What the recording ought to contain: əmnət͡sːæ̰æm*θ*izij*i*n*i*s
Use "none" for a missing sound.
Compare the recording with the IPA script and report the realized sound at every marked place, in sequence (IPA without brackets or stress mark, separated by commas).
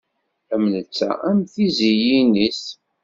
θ, i, i